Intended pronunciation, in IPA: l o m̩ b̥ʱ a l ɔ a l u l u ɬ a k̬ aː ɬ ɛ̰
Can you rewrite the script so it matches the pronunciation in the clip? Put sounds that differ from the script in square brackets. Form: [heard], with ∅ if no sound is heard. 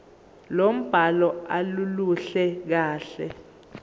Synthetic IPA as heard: l o m̩ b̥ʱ a l ɔ a l u l u ɬ [ɛ] k̬ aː ɬ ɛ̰